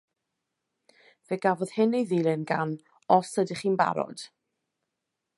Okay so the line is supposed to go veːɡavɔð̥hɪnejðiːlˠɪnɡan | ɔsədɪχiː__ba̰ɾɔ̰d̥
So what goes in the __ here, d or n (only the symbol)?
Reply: n